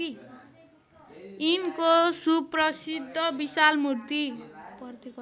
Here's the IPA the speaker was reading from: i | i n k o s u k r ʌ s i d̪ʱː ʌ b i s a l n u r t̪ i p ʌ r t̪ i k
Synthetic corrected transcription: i | i n k o s u p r ʌ s i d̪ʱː ʌ b i s a l m u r t̪ i p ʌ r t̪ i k